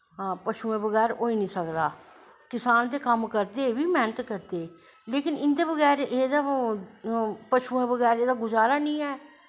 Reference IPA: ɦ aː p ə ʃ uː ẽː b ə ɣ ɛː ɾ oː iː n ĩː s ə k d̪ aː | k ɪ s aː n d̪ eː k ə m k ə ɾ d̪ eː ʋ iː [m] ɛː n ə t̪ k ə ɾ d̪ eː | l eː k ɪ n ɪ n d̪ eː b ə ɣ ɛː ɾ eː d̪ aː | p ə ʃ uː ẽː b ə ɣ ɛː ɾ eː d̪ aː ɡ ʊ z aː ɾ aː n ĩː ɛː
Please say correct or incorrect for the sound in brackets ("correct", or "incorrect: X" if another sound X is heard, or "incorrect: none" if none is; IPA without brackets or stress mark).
correct